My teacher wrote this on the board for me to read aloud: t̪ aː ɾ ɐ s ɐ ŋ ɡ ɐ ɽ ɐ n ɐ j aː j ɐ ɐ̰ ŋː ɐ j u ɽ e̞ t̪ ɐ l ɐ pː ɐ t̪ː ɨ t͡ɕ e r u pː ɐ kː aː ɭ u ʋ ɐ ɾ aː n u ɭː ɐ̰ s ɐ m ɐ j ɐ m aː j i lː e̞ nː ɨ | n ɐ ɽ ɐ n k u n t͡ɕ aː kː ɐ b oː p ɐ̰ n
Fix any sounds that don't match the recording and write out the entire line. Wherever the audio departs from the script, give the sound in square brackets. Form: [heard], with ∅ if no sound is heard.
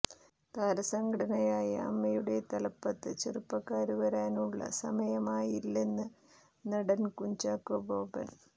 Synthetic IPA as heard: t̪ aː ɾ ɐ s ɐ ŋ ɡ ɐ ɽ ɐ n ɐ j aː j ɐ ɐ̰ [mː] ɐ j u ɽ e̞ t̪ ɐ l ɐ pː ɐ t̪ː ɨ t͡ɕ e r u pː ɐ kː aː [ɾ] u ʋ ɐ ɾ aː n u ɭː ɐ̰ s ɐ m ɐ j ɐ m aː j i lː e̞ nː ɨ | n ɐ ɽ ɐ n k u [ɲ] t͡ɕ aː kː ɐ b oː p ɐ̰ n